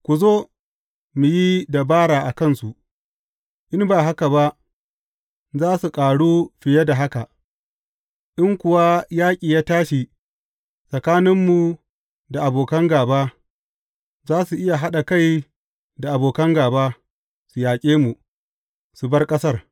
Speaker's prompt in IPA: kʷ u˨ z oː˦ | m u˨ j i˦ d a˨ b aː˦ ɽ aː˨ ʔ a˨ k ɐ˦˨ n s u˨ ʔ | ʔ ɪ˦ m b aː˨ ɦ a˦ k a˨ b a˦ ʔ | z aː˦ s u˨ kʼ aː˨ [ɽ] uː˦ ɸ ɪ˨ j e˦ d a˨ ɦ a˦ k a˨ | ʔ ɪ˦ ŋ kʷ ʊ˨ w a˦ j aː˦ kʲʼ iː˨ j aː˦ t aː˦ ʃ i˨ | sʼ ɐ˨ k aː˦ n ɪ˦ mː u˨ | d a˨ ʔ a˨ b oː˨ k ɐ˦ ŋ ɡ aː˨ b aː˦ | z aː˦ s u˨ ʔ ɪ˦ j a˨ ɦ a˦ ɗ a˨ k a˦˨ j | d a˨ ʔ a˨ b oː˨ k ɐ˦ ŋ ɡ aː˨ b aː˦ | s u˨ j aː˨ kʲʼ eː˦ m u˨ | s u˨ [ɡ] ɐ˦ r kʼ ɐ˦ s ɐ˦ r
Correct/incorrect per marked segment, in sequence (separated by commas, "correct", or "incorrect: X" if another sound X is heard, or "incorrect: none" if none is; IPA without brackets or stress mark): correct, incorrect: b